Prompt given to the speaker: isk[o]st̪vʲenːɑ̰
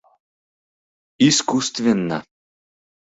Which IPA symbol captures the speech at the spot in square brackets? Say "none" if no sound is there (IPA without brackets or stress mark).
u